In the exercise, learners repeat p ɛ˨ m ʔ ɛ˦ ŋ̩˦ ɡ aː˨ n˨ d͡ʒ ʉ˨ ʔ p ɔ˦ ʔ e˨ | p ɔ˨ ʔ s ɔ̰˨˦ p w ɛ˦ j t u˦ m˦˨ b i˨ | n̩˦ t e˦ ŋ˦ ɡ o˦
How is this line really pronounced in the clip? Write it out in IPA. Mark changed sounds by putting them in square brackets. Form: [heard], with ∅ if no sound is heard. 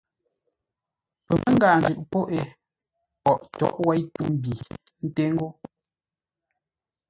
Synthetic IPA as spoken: p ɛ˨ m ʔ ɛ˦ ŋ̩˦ ɡ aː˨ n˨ d͡ʒ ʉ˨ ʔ p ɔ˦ ʔ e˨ | p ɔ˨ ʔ [t] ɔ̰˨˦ [ʔ] w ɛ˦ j t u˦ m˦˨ b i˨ | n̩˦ t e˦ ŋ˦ ɡ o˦